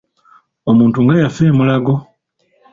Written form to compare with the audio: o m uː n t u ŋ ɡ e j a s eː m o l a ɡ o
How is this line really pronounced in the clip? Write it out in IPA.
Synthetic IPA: o m uː n t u ŋ ɡ a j a f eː m u l a ɡ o